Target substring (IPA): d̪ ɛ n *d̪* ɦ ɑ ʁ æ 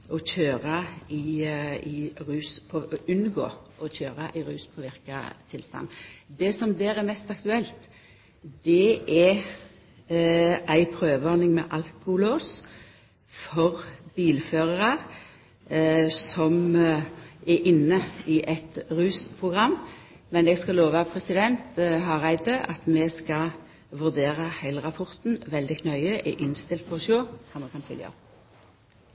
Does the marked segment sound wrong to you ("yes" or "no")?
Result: yes